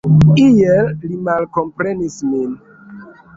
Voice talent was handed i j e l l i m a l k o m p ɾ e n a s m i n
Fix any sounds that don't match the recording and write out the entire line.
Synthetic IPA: i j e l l i m a l k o m p ɾ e n i s m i n